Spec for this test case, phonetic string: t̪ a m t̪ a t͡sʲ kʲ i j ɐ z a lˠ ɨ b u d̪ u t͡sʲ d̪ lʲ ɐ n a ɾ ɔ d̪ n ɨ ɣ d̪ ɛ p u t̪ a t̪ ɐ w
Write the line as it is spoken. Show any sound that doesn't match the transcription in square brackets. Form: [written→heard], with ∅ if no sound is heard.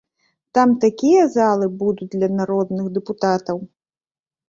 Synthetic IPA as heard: t̪ a m t̪ a [t͡sʲ→∅] kʲ i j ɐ z a lˠ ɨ b u d̪ u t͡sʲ d̪ lʲ ɐ n a ɾ ɔ d̪ n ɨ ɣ d̪ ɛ p u t̪ a t̪ ɐ w

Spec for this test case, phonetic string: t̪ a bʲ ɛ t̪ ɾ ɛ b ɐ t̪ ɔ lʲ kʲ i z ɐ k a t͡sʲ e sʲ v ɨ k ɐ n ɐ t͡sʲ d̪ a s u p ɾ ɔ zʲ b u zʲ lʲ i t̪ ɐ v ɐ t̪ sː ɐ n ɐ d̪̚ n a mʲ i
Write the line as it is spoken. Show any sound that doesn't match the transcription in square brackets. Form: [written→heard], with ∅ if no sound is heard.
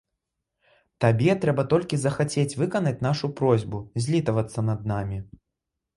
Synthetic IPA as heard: t̪ a bʲ ɛ t̪ ɾ ɛ b ɐ t̪ ɔ lʲ kʲ i z ɐ [k→x] a t͡sʲ e [sʲ→t͡sʲ] v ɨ k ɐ n ɐ t͡sʲ [d̪→n̪] a [s→ʂ] u p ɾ ɔ zʲ b u zʲ lʲ i t̪ ɐ v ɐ t̪ sː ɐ n ɐ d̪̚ n a mʲ i

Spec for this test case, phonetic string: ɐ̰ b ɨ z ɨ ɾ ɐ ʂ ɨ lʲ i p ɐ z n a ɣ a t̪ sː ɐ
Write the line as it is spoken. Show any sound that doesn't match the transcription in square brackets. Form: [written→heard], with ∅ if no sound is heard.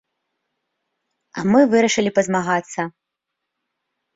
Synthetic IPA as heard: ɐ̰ [b→m] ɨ [z→v] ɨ ɾ ɐ ʂ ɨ lʲ i p ɐ z [n→m] a ɣ a t̪ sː ɐ

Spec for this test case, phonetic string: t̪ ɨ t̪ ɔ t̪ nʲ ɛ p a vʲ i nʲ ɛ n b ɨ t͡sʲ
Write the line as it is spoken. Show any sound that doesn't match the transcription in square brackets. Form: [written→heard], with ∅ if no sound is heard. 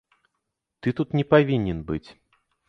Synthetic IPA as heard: t̪ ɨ t̪ [ɔ→u] t̪ nʲ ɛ p a vʲ i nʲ ɛ n b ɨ t͡sʲ

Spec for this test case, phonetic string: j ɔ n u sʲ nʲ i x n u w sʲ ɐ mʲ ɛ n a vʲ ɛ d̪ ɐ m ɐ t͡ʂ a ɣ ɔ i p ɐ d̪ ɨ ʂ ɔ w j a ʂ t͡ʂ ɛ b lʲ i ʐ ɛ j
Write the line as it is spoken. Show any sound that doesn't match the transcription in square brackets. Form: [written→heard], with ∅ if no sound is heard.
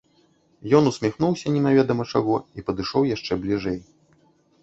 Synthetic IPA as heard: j ɔ n u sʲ [nʲ→mʲ] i x n u w sʲ ɐ [mʲ→nʲ] ɛ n a vʲ ɛ d̪ ɐ m ɐ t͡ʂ a ɣ ɔ i p ɐ d̪ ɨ ʂ ɔ w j a ʂ t͡ʂ ɛ b lʲ i ʐ ɛ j

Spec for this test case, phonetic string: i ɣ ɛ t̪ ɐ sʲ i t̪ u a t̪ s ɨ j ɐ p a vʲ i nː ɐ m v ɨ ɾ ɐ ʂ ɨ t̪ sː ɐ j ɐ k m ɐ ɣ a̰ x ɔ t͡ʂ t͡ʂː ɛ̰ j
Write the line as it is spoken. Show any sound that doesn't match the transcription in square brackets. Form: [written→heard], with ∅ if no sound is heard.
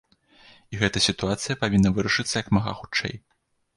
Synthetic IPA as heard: i ɣ ɛ t̪ ɐ sʲ i t̪ u a t̪ s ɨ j ɐ p a vʲ i nː ɐ [m→∅] v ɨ ɾ ɐ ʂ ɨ t̪ sː ɐ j ɐ k m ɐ ɣ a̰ x [ɔ→u] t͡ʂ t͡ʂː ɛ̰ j

